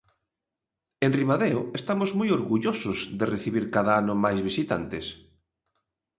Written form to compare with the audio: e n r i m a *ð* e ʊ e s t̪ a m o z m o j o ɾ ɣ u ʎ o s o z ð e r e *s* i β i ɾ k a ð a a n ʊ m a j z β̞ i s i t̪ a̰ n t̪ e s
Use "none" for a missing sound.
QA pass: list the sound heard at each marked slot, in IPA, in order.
ð, θ

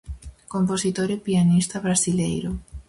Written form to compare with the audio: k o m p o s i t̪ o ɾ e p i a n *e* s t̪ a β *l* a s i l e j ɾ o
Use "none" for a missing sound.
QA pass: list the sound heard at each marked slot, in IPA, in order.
i, ɾ

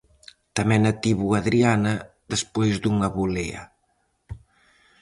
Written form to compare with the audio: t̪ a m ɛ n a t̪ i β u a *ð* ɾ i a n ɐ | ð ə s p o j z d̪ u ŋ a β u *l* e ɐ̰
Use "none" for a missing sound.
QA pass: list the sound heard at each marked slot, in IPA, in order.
ð, l

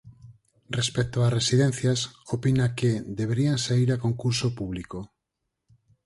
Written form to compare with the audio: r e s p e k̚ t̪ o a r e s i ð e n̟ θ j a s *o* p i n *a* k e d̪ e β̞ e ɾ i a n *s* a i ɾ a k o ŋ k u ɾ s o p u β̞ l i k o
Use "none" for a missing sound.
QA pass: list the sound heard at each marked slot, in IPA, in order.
o, a, s

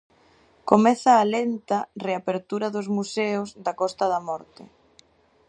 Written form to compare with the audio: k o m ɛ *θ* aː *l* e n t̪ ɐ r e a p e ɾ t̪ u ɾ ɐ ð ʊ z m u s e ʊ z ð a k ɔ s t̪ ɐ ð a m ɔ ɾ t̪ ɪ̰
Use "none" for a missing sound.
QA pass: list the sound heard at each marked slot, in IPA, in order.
θ, l

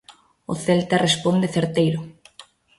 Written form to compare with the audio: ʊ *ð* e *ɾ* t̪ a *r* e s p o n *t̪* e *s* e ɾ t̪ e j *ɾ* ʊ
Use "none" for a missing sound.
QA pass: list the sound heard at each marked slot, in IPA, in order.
θ, l, r, d̪, θ, ɾ

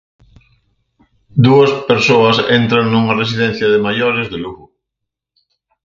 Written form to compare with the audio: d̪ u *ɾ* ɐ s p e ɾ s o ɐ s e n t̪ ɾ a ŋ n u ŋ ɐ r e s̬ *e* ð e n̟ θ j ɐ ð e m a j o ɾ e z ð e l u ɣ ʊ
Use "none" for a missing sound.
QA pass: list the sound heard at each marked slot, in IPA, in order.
none, i

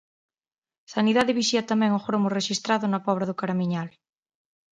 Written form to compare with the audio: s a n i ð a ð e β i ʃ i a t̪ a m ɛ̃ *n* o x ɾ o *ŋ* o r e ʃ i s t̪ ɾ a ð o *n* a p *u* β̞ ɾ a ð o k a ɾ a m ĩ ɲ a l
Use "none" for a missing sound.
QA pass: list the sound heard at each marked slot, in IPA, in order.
ŋ, m, n, ɔ

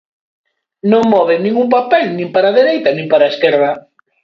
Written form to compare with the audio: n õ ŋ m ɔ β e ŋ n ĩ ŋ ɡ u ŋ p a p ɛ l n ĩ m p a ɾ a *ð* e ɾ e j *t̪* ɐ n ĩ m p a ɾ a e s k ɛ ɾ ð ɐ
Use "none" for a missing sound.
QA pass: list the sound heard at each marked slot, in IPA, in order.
ð, t̪

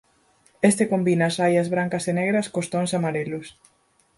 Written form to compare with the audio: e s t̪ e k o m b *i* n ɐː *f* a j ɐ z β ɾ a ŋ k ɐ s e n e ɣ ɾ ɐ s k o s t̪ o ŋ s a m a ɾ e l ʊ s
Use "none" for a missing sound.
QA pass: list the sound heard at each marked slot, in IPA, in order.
i, s

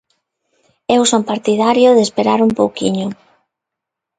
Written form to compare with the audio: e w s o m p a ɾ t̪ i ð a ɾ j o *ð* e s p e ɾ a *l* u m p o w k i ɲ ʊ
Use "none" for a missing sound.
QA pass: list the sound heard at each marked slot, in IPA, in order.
ð, ɾ

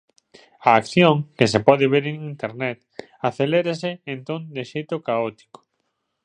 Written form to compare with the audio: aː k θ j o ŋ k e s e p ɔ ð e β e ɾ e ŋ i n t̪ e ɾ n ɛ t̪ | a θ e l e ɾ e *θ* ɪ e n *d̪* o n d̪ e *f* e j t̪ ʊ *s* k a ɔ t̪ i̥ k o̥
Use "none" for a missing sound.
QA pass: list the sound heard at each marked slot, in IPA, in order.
s, t̪, ʃ, none

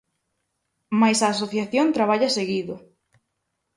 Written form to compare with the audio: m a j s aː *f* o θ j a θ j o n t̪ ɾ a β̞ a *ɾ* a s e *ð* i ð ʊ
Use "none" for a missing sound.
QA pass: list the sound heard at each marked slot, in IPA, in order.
s, ʎ, ɣ

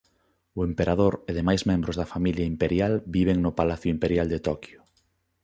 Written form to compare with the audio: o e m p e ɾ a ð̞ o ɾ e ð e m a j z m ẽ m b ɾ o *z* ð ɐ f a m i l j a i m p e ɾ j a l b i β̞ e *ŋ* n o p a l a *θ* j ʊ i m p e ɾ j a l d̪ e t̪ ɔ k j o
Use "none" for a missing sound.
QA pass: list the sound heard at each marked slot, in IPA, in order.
z, ŋ, θ

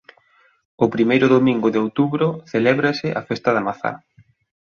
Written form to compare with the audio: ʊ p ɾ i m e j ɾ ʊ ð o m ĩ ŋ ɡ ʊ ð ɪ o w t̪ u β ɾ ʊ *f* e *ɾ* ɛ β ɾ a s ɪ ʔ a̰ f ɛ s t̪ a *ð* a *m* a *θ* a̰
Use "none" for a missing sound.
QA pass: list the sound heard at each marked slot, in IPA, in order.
θ, l, ð, m, θ

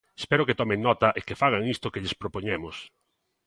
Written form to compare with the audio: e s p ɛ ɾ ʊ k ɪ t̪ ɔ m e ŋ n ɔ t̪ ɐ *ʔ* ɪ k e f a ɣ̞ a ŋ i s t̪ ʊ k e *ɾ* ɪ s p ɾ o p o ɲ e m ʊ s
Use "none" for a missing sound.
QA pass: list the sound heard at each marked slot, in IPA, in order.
ʔ, ʎ

